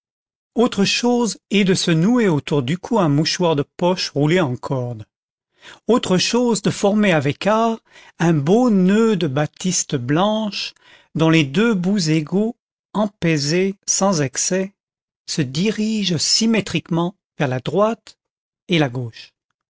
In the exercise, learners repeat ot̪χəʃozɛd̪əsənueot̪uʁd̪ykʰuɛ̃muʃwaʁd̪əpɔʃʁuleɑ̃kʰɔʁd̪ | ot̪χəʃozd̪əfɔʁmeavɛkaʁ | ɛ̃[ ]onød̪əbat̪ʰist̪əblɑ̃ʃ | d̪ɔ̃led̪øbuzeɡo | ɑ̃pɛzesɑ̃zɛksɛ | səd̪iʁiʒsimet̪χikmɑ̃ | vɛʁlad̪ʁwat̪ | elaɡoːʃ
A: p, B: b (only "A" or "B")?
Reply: B